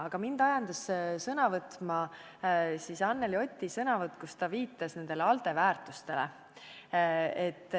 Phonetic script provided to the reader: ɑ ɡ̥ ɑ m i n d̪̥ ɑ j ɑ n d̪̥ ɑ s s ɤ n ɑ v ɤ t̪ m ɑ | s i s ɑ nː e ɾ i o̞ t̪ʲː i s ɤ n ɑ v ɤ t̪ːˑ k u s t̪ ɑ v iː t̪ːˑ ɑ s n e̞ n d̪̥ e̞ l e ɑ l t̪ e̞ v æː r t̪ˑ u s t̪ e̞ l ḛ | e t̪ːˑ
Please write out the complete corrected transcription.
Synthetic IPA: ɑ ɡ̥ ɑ m i n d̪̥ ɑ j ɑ n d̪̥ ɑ s s ɤ n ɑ v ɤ t̪ m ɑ | s i s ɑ nː e l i o̞ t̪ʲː i s ɤ n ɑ v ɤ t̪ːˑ k u s t̪ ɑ v iː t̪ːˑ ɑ s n e̞ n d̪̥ e̞ l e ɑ l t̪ e̞ v æː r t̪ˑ u s t̪ e̞ l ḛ | e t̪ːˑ